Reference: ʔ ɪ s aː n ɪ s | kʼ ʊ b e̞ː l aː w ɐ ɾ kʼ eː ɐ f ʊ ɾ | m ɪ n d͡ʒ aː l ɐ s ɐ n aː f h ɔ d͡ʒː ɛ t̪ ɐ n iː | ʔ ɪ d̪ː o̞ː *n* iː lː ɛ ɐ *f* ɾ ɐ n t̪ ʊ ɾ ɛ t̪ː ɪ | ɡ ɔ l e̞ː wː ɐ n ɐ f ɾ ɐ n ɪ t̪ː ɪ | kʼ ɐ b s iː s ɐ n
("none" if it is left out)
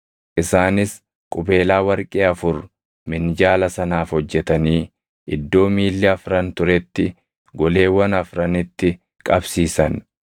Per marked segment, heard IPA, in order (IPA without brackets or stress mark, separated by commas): m, f